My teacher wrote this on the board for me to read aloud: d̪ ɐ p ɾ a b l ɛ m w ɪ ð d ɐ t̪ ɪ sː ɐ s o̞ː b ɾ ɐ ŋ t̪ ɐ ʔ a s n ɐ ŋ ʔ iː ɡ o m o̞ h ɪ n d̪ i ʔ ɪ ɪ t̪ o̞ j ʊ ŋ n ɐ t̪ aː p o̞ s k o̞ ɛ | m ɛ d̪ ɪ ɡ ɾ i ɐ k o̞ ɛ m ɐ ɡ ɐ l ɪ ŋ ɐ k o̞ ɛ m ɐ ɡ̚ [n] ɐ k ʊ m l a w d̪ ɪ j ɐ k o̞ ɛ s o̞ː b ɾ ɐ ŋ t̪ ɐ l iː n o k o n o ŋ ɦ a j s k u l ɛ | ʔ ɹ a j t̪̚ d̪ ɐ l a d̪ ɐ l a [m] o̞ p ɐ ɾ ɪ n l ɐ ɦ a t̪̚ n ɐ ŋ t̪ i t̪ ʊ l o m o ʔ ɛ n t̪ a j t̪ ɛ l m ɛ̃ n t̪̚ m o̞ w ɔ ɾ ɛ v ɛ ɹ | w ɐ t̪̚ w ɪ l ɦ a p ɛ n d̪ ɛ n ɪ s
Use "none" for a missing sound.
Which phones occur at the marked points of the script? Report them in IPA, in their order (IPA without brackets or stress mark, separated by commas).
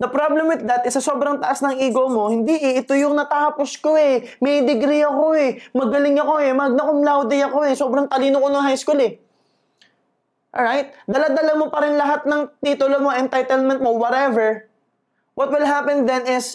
n, m